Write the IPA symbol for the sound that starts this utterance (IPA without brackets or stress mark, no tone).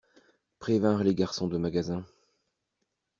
p